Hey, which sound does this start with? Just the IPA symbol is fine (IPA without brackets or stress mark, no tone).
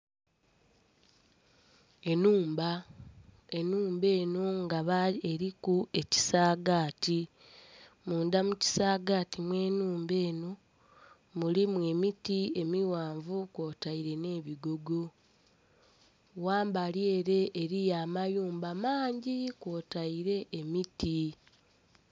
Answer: e̞